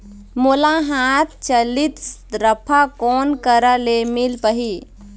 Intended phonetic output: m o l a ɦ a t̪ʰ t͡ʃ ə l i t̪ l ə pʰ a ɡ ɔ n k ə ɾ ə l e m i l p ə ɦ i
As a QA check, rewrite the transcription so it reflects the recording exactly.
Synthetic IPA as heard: m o l a ɦ a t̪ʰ t͡ʃ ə l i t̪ ɾ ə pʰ a k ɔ n k ə ɾ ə l e m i l p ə ɦ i